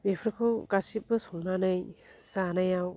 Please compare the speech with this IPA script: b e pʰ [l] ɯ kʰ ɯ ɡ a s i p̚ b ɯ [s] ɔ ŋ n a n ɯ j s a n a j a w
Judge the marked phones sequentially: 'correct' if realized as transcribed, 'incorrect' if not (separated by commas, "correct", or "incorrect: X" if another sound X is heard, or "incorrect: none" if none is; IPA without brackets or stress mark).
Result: incorrect: ɾ, correct